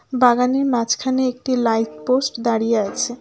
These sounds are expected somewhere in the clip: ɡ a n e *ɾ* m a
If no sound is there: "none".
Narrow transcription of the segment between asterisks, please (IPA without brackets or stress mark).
ɾ